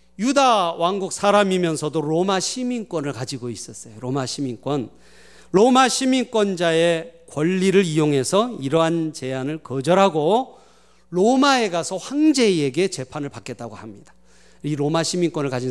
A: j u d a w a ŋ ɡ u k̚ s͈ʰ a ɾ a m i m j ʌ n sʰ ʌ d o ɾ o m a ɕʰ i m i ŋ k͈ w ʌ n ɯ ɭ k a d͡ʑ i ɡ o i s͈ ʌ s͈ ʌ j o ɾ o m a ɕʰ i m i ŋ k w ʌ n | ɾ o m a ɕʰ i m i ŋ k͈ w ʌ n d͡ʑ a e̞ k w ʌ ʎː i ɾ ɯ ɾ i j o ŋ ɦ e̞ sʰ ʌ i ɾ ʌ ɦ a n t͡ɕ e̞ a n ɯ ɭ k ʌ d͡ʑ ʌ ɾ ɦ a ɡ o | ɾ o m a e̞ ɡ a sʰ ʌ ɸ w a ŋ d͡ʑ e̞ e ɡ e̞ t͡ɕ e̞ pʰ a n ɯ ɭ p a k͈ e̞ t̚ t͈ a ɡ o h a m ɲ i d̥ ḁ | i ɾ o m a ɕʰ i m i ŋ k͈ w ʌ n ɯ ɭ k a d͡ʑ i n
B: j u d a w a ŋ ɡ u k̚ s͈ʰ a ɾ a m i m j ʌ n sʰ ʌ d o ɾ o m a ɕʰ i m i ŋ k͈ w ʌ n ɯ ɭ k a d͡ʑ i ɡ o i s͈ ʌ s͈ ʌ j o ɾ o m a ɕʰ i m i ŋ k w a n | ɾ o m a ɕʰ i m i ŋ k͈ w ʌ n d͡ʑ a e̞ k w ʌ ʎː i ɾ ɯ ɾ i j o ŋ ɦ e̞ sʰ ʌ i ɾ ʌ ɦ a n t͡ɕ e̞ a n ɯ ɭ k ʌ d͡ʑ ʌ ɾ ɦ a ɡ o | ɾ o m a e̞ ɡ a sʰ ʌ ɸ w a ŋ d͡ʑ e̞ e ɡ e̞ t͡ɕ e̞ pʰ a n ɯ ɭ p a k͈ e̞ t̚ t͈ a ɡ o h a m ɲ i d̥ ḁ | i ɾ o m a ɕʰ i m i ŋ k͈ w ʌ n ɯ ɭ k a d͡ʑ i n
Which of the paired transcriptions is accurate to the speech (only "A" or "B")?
A